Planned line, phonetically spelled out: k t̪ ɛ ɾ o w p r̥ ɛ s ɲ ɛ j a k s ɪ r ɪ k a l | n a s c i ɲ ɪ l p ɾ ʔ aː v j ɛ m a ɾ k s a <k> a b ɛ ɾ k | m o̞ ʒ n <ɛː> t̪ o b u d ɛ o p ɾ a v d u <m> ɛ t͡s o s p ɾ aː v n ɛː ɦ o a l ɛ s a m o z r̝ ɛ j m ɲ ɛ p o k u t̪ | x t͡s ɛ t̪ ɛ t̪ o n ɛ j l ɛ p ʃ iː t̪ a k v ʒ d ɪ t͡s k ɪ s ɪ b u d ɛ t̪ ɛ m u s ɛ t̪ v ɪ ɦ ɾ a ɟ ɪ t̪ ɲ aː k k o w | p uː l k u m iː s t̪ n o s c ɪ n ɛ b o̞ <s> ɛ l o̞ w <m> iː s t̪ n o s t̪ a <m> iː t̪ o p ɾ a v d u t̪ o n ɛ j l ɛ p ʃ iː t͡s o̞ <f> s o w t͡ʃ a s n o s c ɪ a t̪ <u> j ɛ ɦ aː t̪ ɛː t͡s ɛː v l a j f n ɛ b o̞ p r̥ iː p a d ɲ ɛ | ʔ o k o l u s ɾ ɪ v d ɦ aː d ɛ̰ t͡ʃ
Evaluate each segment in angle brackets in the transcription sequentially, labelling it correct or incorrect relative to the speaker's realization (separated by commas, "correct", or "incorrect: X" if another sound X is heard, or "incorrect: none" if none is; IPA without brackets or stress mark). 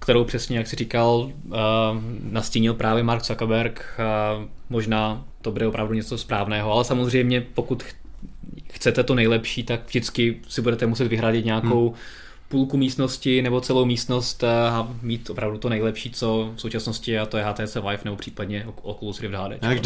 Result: correct, incorrect: aː, incorrect: ɲ, incorrect: t͡s, correct, correct, correct, incorrect: o